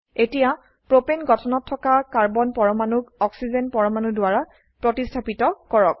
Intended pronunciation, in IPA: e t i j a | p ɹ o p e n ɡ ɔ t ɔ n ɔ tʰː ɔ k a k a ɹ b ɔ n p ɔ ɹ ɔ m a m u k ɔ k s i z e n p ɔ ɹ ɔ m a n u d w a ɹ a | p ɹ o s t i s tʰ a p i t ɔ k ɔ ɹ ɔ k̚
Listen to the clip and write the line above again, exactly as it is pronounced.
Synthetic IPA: e t i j a | p ɹ o p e n ɡ ɔ tʰ ɔ n ɔ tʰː ɔ k a k a ɹ b ɔ n p ɔ ɹ ɔ m a n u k ɔ k s i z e n p ɔ ɹ ɔ m a n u d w a ɹ a | p ɹ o t i s tʰ a p i t ɔ k ɔ ɹ ɔ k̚